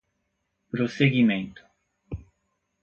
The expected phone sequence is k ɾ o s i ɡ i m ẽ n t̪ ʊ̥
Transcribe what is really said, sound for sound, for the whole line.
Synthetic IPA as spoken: p ɾ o s e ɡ i m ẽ n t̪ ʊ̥